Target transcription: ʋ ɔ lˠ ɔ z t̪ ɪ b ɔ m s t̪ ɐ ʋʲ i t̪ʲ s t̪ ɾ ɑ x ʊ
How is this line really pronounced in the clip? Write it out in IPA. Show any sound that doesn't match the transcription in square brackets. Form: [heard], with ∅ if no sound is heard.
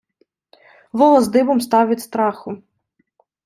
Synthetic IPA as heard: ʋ ɔ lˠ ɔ z [d̪] ɪ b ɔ m s t̪ [ɑ] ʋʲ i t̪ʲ s t̪ ɾ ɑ x ʊ